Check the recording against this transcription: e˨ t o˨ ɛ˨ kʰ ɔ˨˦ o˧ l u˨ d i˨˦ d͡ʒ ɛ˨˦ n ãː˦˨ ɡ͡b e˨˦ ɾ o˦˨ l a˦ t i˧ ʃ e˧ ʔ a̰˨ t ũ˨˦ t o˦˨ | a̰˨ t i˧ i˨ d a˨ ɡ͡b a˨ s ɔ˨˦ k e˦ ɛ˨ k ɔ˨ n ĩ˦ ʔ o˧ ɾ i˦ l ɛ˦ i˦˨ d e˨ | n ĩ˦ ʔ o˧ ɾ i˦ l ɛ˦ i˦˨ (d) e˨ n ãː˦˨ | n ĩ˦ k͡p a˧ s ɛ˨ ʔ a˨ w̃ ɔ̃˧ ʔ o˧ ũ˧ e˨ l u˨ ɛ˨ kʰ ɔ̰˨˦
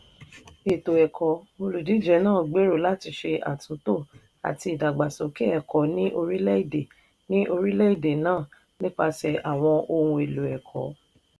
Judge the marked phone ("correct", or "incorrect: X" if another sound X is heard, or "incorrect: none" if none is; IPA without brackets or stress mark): correct